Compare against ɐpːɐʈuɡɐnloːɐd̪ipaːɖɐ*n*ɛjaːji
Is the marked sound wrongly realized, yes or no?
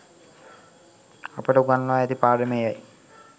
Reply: yes